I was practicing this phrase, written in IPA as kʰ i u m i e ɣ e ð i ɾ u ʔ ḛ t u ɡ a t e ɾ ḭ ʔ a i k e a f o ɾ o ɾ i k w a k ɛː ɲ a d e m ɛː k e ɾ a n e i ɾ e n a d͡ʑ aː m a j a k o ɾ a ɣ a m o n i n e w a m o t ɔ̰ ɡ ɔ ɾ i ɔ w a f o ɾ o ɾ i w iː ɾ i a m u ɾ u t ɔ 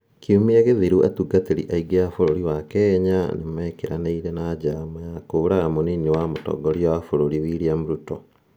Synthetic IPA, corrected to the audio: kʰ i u m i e ɣ e ð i ɾ u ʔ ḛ t u ɡ a t e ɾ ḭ ʔ a i ɡ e a f o ɾ o ɾ i w a k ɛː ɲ a n e m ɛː k e ɾ a n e i ɾ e n a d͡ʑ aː m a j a k o ɾ a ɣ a m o n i n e w a m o t ɔ̰ ɡ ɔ ɾ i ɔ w a f o ɾ o ɾ i w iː ɾ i a m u ɾ u t ɔ

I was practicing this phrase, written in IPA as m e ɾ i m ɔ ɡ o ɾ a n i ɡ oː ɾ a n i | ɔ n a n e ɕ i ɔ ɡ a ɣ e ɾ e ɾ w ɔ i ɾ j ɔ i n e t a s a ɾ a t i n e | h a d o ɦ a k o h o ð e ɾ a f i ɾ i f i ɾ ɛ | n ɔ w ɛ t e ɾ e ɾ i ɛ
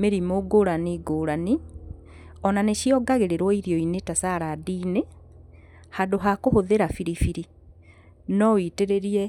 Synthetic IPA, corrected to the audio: m e ɾ i m o ɡ o ɾ a n i ɡ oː ɾ a n i | ɔ n a n e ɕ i ɔ ɡ a ɣ e ɾ e ɾ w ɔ i ɾ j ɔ i n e t a s a ɾ a d i n e | h a d o ɦ a k o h o ð e ɾ a f i ɾ i f i ɾ i | n ɔ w i t e ɾ e ɾ i ɛ

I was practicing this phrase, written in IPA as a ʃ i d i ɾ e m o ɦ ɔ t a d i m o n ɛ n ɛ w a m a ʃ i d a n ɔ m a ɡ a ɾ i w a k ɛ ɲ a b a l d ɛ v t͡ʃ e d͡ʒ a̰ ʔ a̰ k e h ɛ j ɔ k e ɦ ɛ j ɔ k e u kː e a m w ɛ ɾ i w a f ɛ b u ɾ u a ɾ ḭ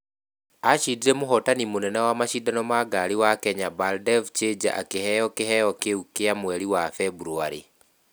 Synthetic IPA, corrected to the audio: a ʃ i d i ɾ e m o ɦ ɔ t a n i m o n ɛ n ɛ w a m a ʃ i d a n ɔ m a ɡ a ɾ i w a k ɛ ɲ a b a l d ɛ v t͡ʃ e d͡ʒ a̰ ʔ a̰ k e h ɛ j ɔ k e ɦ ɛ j ɔ k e u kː e a m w ɛ ɾ i w a f ɛ b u ɾ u a ɾ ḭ

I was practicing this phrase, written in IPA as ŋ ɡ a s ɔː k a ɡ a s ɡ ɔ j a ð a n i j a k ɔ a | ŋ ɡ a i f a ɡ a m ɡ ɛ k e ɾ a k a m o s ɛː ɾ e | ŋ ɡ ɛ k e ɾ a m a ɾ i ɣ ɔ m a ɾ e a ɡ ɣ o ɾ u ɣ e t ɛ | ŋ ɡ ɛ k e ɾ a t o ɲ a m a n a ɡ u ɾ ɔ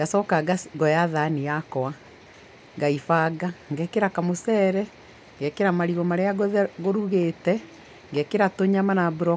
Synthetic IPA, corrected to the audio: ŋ ɡ a s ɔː k a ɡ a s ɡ ɔ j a ð a n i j a k ɔ a | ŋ ɡ a i f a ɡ a ŋ ɡ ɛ k e ɾ a k a m o s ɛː ɾ ɛ | ŋ ɡ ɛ k e ɾ a m a ɾ i ɣ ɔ m a ɾ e a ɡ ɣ o ɾ u ɣ e t ɛ | ŋ ɡ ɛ k e ɾ a t o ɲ a m a n a b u ɾ ɔ

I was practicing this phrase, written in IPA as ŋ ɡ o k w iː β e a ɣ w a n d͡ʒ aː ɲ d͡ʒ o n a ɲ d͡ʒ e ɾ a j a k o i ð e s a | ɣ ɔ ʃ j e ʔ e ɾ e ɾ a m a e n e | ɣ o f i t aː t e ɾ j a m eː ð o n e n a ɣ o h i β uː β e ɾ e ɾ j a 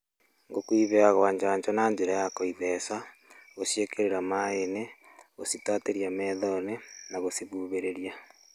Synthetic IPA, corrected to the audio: ŋ ɡ o k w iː β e a ɣ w a ɲ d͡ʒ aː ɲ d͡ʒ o n a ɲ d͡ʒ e ɾ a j a k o i ð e s a | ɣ o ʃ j e k e ɾ e ɾ a m a e n e | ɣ o s i t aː t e ɾ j a m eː ð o n e n a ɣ o s i β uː β e ɾ e ɾ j a

